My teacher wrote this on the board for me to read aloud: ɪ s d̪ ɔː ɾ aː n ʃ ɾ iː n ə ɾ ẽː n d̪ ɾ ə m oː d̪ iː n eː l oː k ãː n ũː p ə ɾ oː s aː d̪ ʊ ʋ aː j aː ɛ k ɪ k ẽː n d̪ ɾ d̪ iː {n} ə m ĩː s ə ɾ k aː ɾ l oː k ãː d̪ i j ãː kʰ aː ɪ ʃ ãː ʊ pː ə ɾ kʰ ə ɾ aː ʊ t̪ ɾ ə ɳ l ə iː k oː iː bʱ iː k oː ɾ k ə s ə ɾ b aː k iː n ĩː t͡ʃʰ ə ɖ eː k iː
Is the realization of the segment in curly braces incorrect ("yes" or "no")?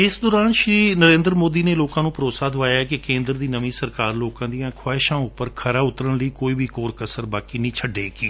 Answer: no